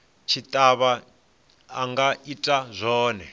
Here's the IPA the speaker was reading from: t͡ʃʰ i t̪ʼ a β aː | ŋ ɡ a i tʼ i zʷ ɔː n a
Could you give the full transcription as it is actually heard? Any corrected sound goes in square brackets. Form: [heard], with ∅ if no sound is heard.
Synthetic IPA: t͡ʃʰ i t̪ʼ a β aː | ŋ ɡ a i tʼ [a] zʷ ɔː n [ɛ]